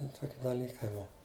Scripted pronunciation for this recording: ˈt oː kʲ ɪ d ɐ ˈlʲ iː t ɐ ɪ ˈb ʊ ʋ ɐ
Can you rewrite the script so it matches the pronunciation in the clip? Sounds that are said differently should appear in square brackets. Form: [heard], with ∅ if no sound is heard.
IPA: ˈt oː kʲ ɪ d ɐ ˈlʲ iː [k] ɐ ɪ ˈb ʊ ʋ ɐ

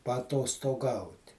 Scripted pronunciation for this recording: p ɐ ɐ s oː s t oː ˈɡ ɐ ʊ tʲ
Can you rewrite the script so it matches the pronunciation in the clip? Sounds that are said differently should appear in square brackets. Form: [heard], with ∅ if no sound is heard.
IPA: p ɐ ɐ [t] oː s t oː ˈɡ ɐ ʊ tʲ

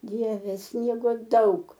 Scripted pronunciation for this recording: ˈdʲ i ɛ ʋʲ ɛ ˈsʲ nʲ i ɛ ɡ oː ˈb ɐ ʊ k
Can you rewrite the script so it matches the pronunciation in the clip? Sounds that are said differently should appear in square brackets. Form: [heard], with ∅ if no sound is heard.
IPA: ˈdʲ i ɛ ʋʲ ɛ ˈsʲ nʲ i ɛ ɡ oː [ˈd] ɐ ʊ k

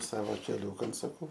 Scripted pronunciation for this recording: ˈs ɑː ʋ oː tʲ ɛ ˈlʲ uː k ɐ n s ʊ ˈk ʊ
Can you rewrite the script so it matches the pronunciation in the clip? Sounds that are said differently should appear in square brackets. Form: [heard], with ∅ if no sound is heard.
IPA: ˈs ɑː ʋ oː [kʲ] ɛ ˈlʲ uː k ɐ n s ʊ ˈk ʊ

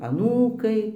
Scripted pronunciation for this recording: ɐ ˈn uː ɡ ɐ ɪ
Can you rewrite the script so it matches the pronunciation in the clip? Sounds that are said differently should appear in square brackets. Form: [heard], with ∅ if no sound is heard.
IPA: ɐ ˈn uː [k] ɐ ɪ

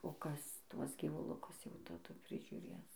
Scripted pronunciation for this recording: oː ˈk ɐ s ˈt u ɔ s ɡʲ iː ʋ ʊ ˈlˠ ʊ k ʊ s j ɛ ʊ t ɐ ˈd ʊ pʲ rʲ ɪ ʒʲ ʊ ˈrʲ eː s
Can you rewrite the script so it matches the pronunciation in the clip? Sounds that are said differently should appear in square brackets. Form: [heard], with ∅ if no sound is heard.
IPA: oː ˈk ɐ s ˈt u ɔ s ɡʲ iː ʋ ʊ ˈlˠ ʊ k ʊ s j ɛ ʊ t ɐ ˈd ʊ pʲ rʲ ɪ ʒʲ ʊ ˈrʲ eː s

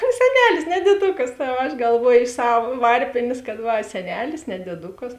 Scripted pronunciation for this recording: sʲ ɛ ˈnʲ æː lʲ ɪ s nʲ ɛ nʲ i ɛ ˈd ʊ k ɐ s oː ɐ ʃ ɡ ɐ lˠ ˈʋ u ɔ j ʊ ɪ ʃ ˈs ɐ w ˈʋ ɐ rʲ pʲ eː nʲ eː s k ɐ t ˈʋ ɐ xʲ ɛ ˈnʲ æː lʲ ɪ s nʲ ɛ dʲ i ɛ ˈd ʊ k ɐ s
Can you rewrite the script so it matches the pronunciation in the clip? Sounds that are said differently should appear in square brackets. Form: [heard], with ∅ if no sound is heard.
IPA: sʲ ɛ ˈnʲ æː lʲ ɪ s nʲ ɛ [dʲ] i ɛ ˈd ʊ k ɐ s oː ɐ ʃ ɡ ɐ lˠ ˈʋ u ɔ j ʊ ɪ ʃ ˈs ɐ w ˈʋ ɐ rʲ pʲ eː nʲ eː s k ɐ t ˈʋ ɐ [sʲ] ɛ ˈnʲ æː lʲ ɪ s nʲ ɛ dʲ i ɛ ˈd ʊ k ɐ s

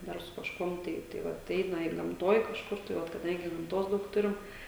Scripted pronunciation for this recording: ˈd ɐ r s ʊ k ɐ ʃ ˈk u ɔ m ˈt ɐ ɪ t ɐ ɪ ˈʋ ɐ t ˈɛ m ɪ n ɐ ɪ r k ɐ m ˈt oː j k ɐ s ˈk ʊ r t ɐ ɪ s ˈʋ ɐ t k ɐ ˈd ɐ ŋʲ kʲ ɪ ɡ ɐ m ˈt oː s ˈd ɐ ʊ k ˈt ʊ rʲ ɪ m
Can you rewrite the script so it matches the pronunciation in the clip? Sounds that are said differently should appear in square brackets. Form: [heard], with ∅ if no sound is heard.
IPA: ˈd ɐ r s ʊ k ɐ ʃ ˈk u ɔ m ˈt ɐ ɪ t ɐ ɪ ˈʋ ɐ t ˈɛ [∅] ɪ n ɐ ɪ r [ɡ] ɐ m ˈt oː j k ɐ [ʃ] ˈk ʊ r t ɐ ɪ [∅] ˈʋ ɐ t k ɐ ˈd ɐ ŋʲ [ɡʲ] ɪ ɡ ɐ m ˈt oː s ˈd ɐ ʊ k ˈt ʊ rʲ ɪ m

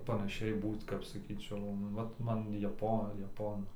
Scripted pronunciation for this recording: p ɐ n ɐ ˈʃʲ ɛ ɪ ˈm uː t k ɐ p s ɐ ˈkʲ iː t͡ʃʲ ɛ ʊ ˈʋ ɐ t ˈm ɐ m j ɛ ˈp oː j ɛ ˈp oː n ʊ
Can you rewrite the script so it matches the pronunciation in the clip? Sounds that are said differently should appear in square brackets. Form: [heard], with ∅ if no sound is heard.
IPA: p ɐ n ɐ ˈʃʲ ɛ ɪ [ˈb] uː t k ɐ p s ɐ ˈkʲ iː t͡ʃʲ ɛ ʊ ˈʋ ɐ t ˈm ɐ [n] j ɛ ˈp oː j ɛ ˈp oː n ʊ

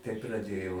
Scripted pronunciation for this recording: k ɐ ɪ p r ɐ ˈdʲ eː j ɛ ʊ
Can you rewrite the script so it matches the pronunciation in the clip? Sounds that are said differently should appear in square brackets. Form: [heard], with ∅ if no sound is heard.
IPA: [t] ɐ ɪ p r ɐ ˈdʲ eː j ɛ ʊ

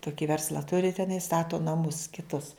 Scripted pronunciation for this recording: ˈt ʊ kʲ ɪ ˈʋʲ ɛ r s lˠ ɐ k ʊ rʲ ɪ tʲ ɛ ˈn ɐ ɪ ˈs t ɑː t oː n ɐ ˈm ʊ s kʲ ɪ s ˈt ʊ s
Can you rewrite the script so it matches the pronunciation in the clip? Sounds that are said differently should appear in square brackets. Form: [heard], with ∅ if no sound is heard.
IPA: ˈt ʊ kʲ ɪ ˈʋʲ ɛ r s lˠ ɐ [t] ʊ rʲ ɪ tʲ ɛ ˈn ɐ ɪ ˈs t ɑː t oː n ɐ ˈm ʊ s kʲ ɪ [∅] ˈt ʊ s

